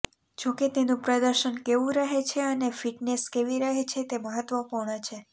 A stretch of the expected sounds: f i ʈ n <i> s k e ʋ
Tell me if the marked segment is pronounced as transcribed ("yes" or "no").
no